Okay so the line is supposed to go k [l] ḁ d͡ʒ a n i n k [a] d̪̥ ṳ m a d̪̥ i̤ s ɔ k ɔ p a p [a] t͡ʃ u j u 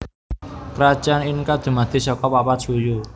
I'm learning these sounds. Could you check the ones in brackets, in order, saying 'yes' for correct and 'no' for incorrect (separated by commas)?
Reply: no, yes, yes